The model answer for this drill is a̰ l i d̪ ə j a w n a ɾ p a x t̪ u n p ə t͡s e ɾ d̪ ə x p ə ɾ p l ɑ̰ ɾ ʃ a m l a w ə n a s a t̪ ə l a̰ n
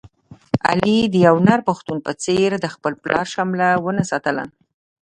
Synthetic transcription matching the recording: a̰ l i d̪ ə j a w n a ɾ p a x t̪ u n p ə t͡s e ɾ d̪ ə x p ə l p l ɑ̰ ɾ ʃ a m l a w ə n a s ɑ t̪ ə l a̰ n